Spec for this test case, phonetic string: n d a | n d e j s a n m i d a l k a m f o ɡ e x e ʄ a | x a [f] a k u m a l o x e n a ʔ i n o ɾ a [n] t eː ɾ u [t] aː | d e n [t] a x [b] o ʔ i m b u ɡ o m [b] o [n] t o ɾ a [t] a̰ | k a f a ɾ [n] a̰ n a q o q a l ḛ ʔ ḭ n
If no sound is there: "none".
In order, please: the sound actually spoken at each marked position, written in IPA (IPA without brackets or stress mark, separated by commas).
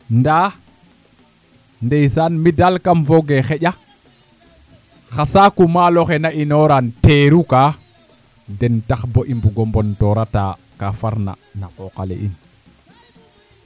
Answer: s, n, k, t, b, b, n, t, n